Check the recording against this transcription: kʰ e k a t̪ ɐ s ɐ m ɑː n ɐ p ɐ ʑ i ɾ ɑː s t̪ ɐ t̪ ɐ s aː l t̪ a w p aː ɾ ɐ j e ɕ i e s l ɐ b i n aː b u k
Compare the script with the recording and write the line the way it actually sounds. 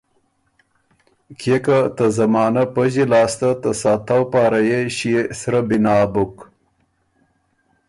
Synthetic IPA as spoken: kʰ e k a t̪ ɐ z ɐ m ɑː n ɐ p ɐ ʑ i l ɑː s t̪ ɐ t̪ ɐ s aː t̪ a w p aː ɾ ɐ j e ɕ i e s ɾ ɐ b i n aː b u k